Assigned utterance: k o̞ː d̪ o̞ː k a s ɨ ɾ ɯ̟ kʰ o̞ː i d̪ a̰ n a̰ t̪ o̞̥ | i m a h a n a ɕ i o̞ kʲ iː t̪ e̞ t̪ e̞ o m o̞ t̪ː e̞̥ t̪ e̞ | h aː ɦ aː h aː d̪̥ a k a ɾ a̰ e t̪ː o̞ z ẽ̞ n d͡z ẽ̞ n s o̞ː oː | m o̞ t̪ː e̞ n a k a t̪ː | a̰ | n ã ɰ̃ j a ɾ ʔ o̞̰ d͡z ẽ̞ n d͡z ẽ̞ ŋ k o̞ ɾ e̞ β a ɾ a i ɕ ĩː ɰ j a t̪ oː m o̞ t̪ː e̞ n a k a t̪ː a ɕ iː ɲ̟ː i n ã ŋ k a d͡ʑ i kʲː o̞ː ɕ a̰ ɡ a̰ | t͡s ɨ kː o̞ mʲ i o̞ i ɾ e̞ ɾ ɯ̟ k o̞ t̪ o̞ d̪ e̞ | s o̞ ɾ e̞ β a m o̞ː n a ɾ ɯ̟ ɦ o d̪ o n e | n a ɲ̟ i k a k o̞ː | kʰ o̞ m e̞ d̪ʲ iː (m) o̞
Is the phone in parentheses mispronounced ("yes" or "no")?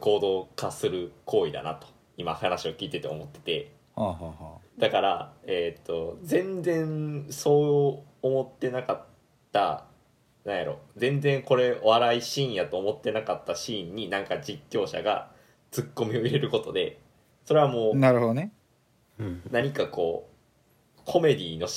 yes